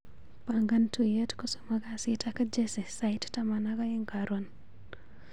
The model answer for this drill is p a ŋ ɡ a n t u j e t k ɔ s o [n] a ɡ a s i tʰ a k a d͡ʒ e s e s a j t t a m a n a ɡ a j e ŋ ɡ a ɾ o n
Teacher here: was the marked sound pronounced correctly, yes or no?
no